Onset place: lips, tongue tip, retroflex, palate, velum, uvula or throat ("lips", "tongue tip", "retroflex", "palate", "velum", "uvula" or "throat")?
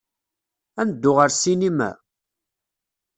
tongue tip